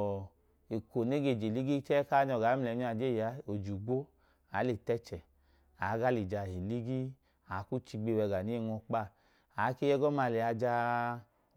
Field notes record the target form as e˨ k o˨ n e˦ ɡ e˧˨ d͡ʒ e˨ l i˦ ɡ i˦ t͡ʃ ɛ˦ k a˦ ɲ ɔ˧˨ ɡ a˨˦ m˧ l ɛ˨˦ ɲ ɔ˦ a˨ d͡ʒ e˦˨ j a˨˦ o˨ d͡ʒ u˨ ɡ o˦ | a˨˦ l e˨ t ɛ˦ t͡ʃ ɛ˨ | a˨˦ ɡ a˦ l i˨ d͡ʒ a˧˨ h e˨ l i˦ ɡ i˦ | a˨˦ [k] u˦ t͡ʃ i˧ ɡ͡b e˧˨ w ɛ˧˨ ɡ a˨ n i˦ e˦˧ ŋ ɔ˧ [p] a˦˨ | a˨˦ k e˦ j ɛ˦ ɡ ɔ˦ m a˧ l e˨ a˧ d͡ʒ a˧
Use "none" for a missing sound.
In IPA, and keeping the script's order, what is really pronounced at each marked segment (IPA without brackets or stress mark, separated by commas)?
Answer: k, k͡p